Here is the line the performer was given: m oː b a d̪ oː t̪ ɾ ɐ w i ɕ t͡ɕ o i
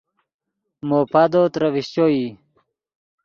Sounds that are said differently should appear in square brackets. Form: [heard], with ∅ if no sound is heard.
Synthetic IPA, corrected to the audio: m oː [p] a d̪ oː t̪ ɾ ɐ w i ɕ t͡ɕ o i